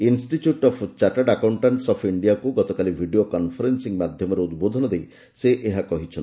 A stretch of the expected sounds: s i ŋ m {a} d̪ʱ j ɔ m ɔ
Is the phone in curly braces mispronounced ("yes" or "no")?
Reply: no